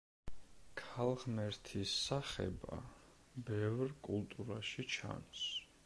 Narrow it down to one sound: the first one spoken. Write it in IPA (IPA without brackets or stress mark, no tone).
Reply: kʰ